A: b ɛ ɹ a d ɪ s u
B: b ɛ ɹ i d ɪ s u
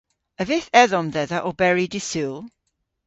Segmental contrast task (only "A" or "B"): B